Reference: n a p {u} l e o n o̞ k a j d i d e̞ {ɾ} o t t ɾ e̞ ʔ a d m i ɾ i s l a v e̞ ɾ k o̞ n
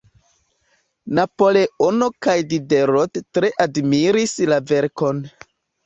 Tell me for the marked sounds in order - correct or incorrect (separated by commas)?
incorrect, correct